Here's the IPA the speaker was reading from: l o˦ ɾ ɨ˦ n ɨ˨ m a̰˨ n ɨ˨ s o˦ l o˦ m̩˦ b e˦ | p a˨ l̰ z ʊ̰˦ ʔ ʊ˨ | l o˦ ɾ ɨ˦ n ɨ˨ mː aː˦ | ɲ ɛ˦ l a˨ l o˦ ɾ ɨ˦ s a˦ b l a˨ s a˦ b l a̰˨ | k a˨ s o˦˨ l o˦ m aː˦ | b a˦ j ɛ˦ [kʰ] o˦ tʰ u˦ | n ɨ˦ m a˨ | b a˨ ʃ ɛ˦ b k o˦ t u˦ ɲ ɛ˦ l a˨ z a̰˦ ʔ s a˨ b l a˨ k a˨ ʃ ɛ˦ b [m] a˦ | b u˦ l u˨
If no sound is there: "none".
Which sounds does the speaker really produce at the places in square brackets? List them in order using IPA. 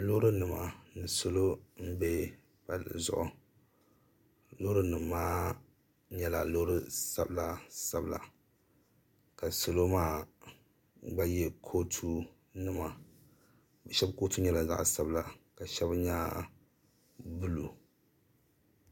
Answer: kʰ, ɲ

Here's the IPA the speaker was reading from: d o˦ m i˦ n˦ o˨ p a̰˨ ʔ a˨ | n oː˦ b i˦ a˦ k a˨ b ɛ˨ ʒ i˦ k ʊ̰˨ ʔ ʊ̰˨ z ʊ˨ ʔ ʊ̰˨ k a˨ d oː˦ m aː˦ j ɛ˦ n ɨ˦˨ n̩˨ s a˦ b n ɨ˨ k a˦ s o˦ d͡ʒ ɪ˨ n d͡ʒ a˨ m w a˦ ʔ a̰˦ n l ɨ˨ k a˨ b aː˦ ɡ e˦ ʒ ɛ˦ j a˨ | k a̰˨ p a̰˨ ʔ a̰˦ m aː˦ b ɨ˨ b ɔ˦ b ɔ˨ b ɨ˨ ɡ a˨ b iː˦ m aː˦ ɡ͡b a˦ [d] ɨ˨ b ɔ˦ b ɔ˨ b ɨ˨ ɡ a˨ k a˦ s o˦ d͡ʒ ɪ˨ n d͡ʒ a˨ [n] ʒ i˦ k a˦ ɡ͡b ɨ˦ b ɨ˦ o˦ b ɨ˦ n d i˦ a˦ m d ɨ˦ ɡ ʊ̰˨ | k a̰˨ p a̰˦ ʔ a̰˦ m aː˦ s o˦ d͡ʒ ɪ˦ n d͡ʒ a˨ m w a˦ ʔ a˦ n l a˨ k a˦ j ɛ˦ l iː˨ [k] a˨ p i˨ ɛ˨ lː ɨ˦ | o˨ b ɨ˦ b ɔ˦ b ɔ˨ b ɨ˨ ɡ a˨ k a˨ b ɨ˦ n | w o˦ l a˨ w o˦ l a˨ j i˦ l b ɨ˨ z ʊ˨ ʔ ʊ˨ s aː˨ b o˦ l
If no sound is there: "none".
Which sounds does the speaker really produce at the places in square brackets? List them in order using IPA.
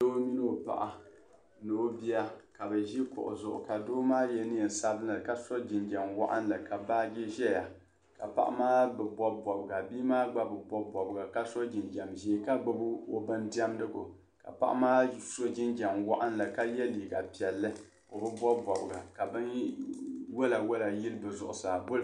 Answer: b, m, ɡ

